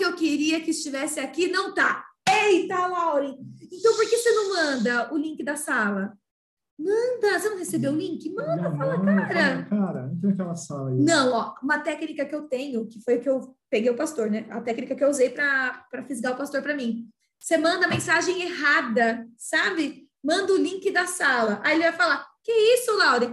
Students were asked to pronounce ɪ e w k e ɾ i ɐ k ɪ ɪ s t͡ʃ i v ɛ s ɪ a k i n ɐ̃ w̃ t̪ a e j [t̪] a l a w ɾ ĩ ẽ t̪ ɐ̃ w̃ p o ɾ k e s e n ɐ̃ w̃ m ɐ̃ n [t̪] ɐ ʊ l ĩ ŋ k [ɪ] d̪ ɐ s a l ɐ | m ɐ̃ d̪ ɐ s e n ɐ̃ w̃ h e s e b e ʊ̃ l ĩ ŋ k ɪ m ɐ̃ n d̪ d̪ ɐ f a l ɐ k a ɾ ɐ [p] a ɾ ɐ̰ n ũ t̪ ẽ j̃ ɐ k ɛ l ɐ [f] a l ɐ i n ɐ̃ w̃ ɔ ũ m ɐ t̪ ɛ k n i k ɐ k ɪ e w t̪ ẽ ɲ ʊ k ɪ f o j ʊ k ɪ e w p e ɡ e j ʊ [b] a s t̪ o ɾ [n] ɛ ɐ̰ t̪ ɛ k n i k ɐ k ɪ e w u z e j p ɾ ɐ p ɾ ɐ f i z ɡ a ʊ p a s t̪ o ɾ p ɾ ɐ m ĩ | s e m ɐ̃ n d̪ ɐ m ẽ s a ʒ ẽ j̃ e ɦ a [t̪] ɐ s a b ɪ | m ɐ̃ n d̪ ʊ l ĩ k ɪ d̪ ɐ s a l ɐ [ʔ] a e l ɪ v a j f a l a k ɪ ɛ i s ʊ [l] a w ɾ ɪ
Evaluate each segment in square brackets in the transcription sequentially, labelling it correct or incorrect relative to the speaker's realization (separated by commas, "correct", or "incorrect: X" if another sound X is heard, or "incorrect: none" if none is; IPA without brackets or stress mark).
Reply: correct, incorrect: d̪, correct, incorrect: k, incorrect: s, incorrect: p, correct, incorrect: d̪, correct, correct